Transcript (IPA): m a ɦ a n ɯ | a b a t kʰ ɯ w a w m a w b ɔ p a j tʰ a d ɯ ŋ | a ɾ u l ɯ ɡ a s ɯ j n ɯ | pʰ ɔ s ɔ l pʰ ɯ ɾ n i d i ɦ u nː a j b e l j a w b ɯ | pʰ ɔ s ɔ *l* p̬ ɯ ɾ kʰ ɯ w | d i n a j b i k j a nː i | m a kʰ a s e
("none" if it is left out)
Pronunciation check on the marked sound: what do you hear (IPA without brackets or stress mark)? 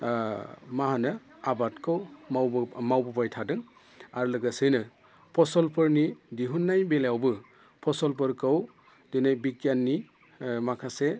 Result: l